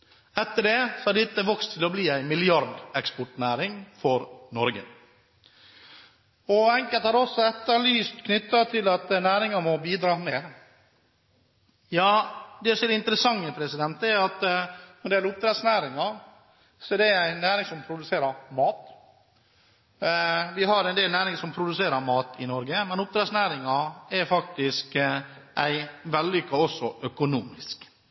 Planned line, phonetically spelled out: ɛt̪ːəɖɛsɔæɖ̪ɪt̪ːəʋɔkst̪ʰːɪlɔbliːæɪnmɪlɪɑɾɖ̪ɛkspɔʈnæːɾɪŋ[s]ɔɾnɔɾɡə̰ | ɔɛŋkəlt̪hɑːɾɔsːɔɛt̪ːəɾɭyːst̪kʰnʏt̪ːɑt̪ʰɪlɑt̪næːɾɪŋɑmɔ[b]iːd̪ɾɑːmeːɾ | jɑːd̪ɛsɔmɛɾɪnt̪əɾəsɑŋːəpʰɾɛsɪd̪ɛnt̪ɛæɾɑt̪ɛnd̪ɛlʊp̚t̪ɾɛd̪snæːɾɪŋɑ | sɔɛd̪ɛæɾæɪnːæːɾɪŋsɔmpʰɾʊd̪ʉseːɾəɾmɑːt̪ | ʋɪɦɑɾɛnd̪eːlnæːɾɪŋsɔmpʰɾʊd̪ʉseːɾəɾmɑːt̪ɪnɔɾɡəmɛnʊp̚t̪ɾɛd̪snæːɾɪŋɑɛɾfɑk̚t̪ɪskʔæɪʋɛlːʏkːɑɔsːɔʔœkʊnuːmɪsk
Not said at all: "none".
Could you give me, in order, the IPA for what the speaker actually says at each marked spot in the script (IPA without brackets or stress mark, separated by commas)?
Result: f, b